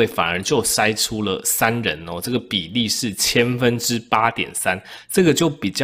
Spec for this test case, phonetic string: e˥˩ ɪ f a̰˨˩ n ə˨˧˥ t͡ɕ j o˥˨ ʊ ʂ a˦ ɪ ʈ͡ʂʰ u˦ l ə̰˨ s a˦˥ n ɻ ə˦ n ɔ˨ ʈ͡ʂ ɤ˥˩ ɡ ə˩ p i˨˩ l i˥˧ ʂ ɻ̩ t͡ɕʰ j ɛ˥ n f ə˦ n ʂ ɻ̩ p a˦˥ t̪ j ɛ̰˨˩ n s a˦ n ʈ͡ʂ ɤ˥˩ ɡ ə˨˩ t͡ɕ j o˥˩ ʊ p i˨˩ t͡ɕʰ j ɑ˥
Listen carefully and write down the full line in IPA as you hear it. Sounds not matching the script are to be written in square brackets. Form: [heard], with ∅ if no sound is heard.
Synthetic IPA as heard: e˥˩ ɪ f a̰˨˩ n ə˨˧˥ t͡ɕ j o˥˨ ʊ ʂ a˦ ɪ ʈ͡ʂʰ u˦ l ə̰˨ s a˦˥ n ɻ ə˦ n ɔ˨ ʈ͡ʂ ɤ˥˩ ɡ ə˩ p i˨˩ l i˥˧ ʂ ɻ̩ t͡ɕʰ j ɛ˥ n f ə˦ n [ʈ͡ʂ] ɻ̩ p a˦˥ t̪ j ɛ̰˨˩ n s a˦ n ʈ͡ʂ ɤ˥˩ ɡ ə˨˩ t͡ɕ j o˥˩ ʊ p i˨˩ [t͡ɕ] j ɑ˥